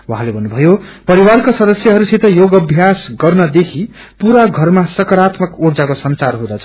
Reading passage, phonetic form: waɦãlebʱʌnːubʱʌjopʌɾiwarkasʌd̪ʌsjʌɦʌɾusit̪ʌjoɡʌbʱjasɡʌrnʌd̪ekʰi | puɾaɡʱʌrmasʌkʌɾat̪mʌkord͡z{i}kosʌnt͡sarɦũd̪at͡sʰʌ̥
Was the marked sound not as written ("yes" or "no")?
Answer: yes